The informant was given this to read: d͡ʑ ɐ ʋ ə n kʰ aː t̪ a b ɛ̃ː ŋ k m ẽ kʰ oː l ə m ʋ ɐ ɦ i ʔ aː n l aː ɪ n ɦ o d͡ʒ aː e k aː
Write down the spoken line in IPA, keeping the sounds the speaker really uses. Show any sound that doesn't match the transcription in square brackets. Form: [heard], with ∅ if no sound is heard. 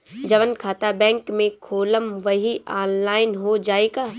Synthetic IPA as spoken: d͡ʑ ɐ ʋ ə n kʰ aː t̪ a b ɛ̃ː ŋ k m ẽ kʰ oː l ə m ʋ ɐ ɦ i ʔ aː n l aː ɪ n ɦ o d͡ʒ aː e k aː